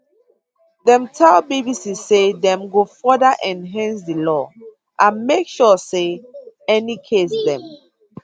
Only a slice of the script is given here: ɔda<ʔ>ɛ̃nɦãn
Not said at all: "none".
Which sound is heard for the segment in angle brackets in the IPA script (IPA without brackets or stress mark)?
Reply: ʔ